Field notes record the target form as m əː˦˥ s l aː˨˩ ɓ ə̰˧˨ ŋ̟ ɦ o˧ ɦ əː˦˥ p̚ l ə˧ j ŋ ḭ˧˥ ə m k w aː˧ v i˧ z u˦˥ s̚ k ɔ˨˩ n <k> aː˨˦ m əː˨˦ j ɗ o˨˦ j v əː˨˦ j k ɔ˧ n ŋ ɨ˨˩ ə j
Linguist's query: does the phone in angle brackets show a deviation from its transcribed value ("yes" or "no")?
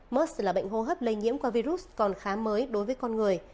yes